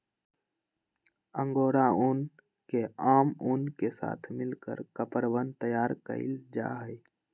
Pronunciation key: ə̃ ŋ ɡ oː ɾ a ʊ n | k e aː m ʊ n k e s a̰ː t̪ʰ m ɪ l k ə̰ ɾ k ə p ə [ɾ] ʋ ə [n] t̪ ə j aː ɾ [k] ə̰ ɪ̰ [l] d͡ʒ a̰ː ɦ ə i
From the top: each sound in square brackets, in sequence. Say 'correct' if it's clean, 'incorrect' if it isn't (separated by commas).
correct, correct, correct, correct